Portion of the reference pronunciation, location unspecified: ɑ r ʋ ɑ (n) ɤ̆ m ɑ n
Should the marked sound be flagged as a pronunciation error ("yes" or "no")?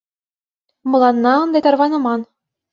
no